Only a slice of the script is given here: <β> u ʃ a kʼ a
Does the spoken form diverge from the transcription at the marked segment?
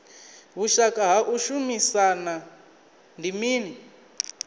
no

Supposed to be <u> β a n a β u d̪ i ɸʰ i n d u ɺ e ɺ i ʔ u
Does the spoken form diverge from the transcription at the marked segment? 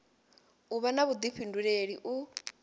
no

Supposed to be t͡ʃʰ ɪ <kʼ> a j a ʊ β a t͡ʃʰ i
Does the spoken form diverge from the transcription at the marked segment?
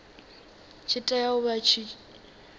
yes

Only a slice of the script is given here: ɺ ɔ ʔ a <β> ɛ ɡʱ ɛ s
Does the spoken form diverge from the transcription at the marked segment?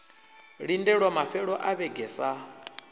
no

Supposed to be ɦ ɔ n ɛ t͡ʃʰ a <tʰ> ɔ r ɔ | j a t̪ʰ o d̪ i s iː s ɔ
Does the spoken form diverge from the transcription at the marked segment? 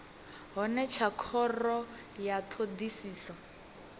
yes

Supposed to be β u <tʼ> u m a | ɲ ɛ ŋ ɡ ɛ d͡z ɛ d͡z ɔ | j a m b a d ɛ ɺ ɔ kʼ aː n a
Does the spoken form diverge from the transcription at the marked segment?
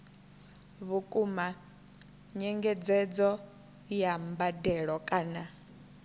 yes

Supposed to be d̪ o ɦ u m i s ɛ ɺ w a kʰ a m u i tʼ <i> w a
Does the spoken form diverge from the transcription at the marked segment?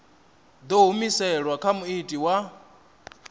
no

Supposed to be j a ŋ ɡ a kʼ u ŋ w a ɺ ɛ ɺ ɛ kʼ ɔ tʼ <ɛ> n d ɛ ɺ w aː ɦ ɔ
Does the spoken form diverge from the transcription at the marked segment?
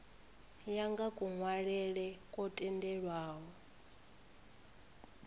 no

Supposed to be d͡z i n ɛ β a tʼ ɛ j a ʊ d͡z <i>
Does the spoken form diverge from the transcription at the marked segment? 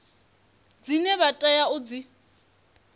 no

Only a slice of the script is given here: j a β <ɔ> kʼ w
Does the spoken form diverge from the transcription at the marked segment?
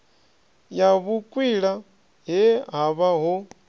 yes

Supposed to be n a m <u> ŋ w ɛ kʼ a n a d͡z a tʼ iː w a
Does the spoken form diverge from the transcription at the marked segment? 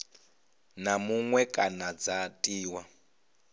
no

